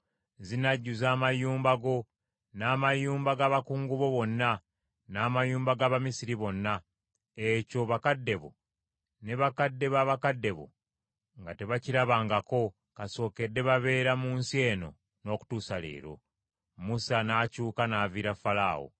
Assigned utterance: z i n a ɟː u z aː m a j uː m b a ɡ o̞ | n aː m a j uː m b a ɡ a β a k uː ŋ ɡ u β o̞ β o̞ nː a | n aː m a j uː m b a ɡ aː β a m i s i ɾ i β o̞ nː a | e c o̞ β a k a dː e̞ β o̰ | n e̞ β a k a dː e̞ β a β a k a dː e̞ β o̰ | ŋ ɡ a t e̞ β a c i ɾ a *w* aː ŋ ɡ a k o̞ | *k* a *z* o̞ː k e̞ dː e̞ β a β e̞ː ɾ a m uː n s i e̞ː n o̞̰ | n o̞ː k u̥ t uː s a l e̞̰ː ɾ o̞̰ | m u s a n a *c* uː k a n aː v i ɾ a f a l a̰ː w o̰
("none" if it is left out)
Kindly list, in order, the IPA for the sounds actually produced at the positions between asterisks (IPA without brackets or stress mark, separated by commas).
β, k, s, c